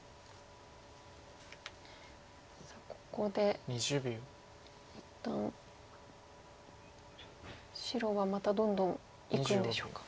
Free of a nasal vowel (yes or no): no